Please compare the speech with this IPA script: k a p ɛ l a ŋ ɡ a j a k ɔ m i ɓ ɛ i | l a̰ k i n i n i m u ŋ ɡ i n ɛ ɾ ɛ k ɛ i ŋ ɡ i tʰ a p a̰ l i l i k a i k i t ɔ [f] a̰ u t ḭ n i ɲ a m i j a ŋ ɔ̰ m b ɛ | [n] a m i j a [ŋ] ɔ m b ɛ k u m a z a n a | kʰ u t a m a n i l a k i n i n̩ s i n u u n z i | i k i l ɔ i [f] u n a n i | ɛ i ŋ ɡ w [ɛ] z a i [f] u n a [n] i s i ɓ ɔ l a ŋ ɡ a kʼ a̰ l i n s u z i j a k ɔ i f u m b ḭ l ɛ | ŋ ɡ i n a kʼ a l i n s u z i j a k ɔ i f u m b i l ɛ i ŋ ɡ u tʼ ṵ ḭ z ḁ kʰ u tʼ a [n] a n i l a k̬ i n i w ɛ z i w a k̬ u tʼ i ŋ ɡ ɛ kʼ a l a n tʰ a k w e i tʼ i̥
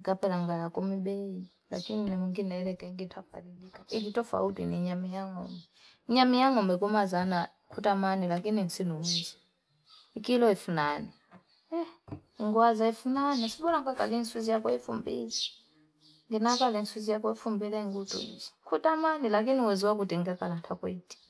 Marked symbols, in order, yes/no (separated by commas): yes, no, yes, yes, no, yes, yes, no